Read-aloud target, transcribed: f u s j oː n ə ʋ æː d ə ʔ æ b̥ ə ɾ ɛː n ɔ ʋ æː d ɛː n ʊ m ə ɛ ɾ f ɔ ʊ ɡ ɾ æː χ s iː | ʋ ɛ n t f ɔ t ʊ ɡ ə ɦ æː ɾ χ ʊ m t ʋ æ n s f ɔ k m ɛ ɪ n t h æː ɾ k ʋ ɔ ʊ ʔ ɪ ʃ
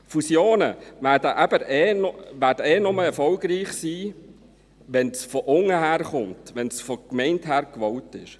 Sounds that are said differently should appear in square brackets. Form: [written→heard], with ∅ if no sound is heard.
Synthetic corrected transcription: f u s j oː n ə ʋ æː d ə ʔ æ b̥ ə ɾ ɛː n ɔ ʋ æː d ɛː n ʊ m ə ɛ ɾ f ɔ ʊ ɡ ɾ [æː→iː] χ s iː | ʋ ɛ n [t→s] f ɔ [t→ʔ] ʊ [ɡ→ŋ] ə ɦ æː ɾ χ ʊ m t ʋ [æ→ɛ] n s f ɔ k m ɛ ɪ n t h æː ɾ k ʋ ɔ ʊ [ʔ→t] ɪ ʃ